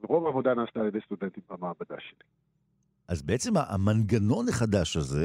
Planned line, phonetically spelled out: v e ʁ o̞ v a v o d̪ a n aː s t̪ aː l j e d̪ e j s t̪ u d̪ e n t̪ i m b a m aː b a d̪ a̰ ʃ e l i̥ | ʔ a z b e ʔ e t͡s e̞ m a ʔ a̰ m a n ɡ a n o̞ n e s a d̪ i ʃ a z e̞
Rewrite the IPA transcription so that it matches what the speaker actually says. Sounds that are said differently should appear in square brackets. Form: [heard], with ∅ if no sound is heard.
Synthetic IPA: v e ʁ o̞ v a v o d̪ a n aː s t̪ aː l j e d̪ e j s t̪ u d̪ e n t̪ i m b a m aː b a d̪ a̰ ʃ e l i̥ | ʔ a z b e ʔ e t͡s e̞ m a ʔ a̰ m a n ɡ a n o̞ n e [χ] a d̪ [a] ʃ a z e̞